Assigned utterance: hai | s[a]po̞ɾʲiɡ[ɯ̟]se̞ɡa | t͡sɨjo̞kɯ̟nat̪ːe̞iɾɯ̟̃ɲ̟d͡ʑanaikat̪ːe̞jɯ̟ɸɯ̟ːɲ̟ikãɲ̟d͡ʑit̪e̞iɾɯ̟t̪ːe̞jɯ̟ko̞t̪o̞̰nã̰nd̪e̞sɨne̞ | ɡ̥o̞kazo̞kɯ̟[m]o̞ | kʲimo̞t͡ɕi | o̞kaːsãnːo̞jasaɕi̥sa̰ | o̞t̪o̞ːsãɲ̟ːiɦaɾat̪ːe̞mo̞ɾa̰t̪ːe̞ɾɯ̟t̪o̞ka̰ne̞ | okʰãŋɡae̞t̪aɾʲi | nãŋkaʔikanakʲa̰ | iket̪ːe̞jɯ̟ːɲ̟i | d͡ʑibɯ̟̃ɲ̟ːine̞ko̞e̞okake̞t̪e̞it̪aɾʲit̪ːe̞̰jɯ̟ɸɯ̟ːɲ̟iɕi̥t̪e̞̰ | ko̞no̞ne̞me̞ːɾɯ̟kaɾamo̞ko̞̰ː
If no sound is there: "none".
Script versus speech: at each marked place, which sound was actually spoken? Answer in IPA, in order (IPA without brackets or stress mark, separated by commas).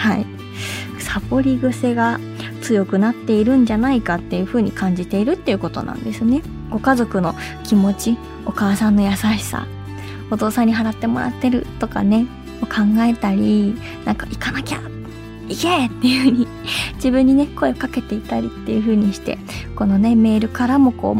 a, ɯ̟, n